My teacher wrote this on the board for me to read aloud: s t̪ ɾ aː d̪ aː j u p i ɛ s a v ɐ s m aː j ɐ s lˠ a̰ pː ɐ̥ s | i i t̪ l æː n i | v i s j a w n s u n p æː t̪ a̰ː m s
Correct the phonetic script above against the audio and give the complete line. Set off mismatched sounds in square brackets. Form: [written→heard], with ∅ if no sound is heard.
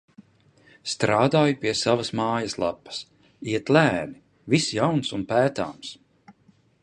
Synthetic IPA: s t̪ ɾ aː d̪ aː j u p i ɛ s a v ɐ s m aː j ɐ s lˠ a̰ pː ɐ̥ s | i [i→ɛ] t̪ l æː n i | v i s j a w n s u n p æː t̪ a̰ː m s